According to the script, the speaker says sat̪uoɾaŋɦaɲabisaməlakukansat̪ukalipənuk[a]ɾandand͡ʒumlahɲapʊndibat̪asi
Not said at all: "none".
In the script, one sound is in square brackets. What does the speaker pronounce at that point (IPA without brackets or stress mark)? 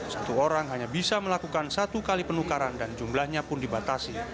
a